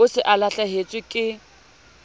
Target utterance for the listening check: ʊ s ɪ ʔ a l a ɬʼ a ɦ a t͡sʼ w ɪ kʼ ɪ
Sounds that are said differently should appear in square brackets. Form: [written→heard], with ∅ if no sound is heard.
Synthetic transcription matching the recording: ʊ s ɪ ʔ a l a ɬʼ a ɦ [a→e] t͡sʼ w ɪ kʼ ɪ